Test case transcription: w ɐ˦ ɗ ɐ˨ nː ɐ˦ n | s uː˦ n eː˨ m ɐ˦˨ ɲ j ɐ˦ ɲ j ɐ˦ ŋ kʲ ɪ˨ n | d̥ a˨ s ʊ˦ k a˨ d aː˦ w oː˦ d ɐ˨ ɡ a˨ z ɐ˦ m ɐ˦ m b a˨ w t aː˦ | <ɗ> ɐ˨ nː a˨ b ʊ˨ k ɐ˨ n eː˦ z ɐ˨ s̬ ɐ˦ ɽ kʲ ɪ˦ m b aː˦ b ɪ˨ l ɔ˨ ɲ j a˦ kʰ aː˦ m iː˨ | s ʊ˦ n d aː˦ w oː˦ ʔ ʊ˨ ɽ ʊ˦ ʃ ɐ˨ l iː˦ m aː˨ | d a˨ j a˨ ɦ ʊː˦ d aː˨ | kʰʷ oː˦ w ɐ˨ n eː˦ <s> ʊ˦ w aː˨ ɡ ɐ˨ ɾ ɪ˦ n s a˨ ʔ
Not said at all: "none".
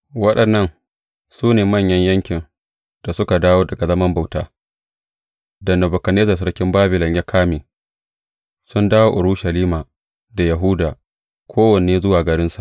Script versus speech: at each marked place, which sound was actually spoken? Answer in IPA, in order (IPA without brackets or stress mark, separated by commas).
d, z